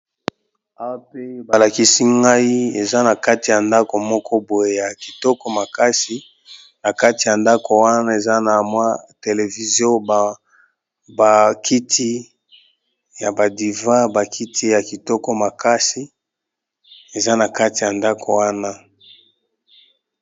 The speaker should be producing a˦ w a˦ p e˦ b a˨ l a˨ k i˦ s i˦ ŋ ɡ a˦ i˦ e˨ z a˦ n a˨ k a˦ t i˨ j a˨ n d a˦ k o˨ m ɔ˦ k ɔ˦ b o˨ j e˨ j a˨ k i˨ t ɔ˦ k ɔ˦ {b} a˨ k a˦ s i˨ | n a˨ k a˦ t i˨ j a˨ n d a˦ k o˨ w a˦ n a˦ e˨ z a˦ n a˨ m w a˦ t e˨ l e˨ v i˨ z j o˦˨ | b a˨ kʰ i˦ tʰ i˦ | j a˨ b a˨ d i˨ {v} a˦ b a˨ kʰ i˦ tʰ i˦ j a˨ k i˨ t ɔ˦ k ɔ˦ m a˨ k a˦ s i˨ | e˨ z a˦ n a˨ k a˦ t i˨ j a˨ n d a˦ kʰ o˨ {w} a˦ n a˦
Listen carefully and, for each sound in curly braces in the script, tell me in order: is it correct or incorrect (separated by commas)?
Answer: incorrect, correct, correct